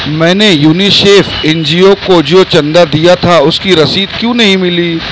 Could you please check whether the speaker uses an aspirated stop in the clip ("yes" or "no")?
yes